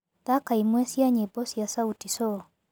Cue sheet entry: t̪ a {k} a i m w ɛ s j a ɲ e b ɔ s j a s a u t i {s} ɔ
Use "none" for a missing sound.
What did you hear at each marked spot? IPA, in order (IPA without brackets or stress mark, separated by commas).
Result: k, s